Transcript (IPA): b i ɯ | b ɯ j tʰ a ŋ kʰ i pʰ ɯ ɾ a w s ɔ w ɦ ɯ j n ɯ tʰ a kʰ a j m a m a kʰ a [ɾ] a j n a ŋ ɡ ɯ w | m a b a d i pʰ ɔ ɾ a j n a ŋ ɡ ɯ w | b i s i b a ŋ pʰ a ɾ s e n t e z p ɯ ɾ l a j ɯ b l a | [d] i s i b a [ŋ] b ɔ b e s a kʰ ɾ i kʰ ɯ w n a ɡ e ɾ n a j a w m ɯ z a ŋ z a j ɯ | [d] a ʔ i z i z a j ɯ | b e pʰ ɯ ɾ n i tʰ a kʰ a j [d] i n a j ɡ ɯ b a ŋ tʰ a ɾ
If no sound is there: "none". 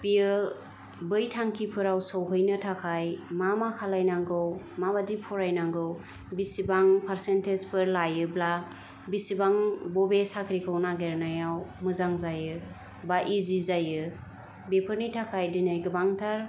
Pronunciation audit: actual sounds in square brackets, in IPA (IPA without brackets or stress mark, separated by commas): l, b, ŋ, b, d